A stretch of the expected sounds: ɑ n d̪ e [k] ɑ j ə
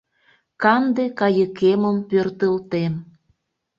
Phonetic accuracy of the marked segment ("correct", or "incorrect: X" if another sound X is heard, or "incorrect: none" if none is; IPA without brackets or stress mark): correct